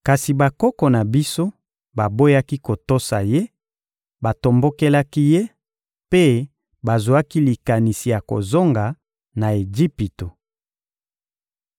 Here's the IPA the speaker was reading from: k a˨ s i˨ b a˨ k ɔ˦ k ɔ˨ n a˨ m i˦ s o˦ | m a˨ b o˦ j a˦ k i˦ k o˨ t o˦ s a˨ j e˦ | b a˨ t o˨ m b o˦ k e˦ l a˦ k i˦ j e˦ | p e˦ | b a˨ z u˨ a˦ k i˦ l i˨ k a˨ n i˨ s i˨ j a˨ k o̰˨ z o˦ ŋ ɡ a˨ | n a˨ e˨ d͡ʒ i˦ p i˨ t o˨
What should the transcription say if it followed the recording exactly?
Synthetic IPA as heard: k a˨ s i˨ b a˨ k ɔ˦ k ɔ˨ n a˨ b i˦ s o˦ | b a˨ b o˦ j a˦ k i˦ k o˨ t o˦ s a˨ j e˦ | b a˨ t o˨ m b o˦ k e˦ l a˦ k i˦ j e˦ | p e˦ | b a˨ z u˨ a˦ k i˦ l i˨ k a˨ n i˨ s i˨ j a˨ k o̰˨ z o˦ ŋ ɡ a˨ | n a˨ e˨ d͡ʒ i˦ p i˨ t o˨

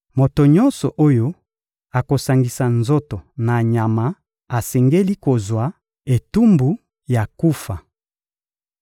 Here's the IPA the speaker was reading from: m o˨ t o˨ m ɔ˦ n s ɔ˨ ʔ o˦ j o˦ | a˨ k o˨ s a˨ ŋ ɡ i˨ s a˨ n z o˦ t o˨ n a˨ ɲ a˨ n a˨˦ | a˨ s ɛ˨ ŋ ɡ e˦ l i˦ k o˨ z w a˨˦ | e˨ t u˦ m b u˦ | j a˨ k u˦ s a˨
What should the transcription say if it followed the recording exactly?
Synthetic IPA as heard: m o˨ t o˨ ɲ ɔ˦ n s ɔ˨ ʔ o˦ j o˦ | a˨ k o˨ s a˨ ŋ ɡ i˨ s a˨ n z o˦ t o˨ n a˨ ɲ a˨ m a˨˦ | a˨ s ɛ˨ ŋ ɡ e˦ l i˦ k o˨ z w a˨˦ | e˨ t u˦ m b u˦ | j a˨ k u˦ f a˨

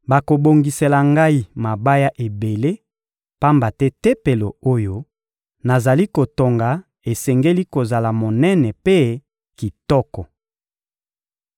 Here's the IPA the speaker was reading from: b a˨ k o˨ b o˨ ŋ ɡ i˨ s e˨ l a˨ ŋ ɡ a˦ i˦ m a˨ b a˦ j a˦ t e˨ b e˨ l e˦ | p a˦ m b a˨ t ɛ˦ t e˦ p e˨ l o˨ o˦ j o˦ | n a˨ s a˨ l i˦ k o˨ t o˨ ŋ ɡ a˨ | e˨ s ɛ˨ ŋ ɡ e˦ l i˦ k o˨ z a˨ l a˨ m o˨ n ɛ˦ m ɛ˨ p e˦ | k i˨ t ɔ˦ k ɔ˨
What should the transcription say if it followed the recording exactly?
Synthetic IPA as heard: b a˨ k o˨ b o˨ ŋ ɡ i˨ s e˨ l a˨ ŋ ɡ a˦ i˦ m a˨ b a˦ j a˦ ʔ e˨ b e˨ l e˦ | p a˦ m b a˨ t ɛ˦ t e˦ p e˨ l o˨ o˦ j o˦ | n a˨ z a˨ l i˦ k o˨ t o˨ ŋ ɡ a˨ | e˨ s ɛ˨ ŋ ɡ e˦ l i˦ k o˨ z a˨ l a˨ m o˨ n ɛ˦ n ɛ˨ p e˦ | k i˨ t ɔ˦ k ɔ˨

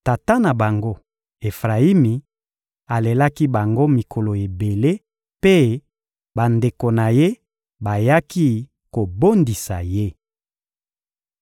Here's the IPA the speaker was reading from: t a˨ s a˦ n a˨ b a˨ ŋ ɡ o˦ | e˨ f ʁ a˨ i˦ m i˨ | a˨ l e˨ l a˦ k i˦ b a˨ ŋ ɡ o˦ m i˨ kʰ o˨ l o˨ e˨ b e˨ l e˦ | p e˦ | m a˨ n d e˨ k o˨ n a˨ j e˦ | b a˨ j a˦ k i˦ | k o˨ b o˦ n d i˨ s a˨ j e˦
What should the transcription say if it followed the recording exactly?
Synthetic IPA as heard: t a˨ t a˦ n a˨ b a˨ ŋ ɡ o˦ | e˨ f ʁ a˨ i˦ m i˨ | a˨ l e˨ l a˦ k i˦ b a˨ ŋ ɡ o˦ m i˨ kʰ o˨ l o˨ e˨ b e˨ l e˦ | p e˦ | b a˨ n d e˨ k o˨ n a˨ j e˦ | b a˨ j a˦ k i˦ | k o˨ b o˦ n d i˨ s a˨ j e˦

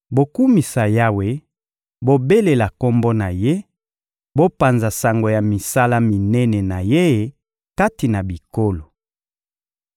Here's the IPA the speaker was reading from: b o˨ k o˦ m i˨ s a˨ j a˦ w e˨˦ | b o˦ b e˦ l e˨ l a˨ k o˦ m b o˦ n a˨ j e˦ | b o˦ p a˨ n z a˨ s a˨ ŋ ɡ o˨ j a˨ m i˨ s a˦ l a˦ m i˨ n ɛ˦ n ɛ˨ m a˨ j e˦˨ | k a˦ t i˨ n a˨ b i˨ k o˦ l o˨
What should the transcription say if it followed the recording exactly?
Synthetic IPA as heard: b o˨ k u˦ m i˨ s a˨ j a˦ w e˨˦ | b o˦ b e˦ l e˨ l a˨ k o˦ m b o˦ n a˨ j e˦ | b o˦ p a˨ n z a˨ s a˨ ŋ ɡ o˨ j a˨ m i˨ s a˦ l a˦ m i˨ n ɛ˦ n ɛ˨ n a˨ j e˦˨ | k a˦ t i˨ n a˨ b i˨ k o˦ l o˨

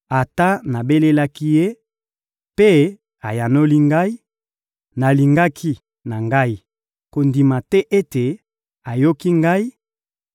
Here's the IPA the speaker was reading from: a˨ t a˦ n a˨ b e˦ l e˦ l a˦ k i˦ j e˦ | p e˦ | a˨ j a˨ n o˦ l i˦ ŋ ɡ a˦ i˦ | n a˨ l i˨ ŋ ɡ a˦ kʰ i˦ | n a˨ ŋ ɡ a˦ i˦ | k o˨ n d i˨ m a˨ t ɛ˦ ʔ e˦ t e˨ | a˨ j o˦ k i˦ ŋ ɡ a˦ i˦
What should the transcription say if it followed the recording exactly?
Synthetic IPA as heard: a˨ t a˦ n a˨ b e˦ l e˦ l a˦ k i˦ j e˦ | p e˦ | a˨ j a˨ n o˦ l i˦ ŋ ɡ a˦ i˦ | n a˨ l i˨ ŋ ɡ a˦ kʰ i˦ | n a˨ ŋ ɡ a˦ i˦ | k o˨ n d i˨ m a˨ t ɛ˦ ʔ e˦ t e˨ | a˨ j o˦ k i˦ ŋ ɡ a˦ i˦

